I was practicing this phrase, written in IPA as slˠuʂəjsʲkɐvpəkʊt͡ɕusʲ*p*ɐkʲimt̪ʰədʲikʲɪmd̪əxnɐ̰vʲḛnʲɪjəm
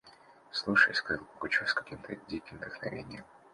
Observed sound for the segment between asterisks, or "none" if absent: k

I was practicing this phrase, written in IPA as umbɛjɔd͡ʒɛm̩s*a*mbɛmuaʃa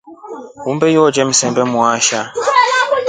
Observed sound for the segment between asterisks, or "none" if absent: ɛ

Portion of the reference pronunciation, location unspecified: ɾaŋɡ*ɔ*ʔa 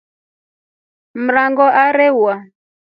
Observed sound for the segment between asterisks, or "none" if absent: ɔ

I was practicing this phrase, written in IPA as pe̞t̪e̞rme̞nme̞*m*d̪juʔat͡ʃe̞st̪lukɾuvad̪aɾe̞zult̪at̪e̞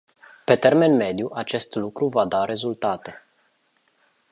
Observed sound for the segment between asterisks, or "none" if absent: none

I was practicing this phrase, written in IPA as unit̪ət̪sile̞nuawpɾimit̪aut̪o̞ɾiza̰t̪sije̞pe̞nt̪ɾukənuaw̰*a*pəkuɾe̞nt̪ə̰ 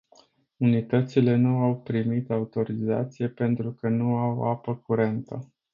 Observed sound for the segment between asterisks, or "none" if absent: a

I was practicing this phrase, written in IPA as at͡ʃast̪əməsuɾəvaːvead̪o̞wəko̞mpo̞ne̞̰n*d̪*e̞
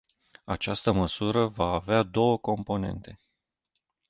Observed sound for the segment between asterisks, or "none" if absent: t̪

